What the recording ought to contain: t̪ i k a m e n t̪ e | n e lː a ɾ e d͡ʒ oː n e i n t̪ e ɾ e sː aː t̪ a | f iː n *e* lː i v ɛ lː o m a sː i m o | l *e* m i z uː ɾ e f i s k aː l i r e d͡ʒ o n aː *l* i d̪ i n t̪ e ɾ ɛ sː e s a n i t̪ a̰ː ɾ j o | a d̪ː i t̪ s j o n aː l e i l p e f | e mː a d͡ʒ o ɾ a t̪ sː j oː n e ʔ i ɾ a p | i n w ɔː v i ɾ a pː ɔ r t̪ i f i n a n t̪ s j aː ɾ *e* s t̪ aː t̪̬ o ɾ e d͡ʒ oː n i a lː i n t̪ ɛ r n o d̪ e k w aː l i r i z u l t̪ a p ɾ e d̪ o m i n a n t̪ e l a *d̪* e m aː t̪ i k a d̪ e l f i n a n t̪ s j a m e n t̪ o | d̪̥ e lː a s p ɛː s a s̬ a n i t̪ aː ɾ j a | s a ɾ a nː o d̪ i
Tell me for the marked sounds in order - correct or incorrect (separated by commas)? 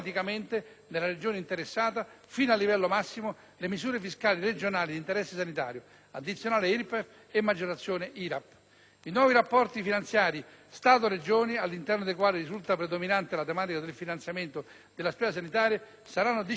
incorrect, correct, correct, incorrect, incorrect